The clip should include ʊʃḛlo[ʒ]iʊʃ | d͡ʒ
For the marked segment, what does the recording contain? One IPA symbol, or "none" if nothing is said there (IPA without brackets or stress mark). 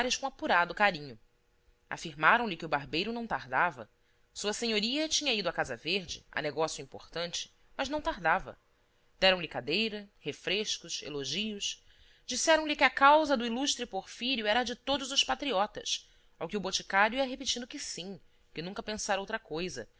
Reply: ʒ